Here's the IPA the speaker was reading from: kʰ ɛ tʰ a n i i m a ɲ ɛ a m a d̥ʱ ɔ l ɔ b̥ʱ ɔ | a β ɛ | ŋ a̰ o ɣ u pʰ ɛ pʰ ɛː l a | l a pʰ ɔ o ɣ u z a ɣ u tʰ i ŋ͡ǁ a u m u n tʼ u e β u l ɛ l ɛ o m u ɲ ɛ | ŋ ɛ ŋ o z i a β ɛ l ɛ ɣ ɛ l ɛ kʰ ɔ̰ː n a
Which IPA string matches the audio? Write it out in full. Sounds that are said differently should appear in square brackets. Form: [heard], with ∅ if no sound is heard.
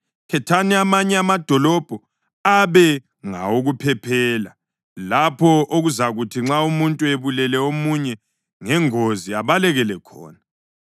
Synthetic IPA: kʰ ɛ tʰ a n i [a] m a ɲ ɛ a m a d̥ʱ ɔ l ɔ b̥ʱ ɔ | a β ɛ | ŋ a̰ o ɣ u pʰ ɛ pʰ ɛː l a | l a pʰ ɔ o ɣ u z a ɣ u tʰ i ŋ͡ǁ a u m u n tʼ u e β u l ɛ l ɛ o m u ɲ ɛ | ŋ ɛ ŋ o z i a β [a] l ɛ ɣ ɛ l ɛ kʰ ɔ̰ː n a